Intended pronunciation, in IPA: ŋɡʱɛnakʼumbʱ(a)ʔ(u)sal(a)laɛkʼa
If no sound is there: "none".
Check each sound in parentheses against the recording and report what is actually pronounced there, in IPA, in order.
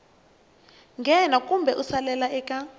ɛ, u, ɛ

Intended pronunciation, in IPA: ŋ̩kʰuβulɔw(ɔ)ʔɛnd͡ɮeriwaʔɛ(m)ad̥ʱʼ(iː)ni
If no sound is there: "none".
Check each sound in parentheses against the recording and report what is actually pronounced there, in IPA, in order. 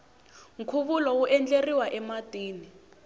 u, m, iː

